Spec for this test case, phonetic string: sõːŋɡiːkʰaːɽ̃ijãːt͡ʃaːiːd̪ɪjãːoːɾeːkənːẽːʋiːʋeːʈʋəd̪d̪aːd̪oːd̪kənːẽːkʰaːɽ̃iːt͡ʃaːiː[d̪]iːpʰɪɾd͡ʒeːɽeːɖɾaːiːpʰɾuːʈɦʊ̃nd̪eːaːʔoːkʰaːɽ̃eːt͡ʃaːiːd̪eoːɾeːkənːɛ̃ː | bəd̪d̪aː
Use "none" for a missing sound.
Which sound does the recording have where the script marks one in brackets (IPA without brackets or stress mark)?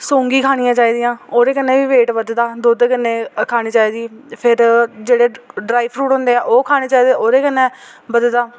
d̪